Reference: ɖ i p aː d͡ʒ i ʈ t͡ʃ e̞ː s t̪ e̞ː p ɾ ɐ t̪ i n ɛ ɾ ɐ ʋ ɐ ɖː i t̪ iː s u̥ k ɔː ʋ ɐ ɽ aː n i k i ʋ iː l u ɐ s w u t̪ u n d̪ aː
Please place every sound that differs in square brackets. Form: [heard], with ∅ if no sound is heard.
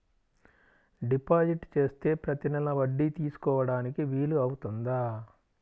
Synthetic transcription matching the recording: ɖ i p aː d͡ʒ i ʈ t͡ʃ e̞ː s t̪ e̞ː p ɾ ɐ t̪ i n ɛ [l] ɐ ʋ ɐ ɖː i t̪ iː s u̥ k ɔː ʋ ɐ ɽ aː n i k i ʋ iː l u ɐ [∅] w u t̪ u n d̪ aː